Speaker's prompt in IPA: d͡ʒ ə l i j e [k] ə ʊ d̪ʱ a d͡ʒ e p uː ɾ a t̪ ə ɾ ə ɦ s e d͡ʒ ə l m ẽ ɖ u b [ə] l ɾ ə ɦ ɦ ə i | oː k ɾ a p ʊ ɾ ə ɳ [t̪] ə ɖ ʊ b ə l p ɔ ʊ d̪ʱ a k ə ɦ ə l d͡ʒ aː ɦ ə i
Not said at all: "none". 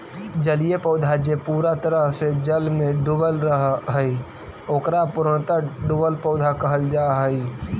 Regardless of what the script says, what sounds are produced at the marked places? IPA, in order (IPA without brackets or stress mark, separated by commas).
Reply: p, ə, t̪